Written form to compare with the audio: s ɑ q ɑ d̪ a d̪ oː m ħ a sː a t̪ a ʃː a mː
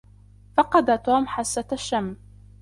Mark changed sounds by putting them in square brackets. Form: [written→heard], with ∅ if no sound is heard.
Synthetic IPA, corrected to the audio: [s→f] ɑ q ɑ d̪ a [d̪→t̪] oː m ħ a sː a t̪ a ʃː a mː